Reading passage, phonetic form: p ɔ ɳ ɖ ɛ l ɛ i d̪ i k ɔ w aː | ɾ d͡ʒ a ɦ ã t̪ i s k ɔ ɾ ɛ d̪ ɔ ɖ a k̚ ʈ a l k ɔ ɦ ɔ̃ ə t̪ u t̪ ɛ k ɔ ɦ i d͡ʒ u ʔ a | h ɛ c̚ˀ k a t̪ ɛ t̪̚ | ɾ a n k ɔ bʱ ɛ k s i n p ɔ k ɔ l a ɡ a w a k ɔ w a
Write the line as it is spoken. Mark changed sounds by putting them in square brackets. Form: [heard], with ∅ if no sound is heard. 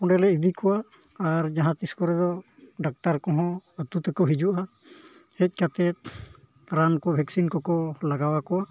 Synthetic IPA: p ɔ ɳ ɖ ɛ l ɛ i d̪ i k ɔ w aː | ɾ d͡ʒ a ɦ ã t̪ i s k ɔ ɾ ɛ d̪ ɔ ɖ a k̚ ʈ a [ɾ] k ɔ ɦ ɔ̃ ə t̪ u t̪ ɛ k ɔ ɦ i d͡ʒ u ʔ a | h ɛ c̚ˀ k a t̪ ɛ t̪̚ | ɾ a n k ɔ bʱ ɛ k s i n [k] ɔ k ɔ l a ɡ a w a k ɔ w a